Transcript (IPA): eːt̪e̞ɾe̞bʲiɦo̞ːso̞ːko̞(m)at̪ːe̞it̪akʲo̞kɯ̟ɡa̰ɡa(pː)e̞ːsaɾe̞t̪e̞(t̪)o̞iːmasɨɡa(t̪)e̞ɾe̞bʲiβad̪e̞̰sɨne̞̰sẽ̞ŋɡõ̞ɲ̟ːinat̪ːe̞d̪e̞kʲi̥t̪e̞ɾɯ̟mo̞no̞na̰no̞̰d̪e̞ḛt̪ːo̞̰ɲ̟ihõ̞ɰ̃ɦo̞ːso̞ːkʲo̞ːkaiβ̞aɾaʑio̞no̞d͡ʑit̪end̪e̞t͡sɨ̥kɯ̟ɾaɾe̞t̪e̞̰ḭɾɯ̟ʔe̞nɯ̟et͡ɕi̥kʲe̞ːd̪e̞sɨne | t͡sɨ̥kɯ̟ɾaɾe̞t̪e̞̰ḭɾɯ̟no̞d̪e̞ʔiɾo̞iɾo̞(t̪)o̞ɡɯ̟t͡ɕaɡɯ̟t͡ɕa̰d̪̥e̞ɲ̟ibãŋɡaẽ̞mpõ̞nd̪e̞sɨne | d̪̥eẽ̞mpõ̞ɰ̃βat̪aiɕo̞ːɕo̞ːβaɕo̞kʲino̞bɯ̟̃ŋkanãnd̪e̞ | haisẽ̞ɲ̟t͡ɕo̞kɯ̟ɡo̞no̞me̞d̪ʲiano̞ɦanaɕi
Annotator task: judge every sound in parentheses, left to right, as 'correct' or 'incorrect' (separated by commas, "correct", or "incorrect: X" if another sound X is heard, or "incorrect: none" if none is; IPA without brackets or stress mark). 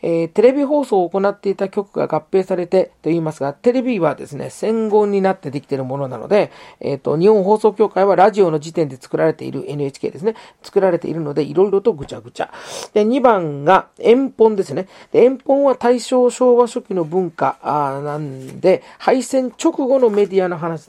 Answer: incorrect: n, correct, correct, correct, correct